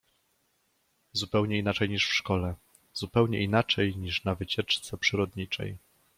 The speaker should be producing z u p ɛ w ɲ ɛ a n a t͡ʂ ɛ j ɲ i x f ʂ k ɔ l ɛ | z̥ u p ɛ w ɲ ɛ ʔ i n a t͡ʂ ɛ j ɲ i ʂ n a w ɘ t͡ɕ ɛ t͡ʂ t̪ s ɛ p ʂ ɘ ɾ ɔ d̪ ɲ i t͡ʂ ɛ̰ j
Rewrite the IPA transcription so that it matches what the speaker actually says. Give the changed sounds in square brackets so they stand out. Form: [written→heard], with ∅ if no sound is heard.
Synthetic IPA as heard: z u p ɛ w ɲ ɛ [a→i] n a t͡ʂ ɛ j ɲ i [x→ʂ] f ʂ k ɔ l ɛ | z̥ u p ɛ w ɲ ɛ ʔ i n a t͡ʂ ɛ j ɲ i ʂ n a [w→v] ɘ t͡ɕ ɛ t͡ʂ t̪ s ɛ p ʂ ɘ ɾ ɔ d̪ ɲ i t͡ʂ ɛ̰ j